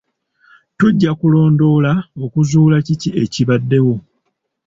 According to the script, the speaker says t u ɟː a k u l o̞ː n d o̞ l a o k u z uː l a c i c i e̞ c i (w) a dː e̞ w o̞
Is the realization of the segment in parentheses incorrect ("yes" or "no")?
yes